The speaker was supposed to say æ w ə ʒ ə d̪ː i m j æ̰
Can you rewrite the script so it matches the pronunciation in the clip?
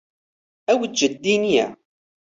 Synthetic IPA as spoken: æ w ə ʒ ə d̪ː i n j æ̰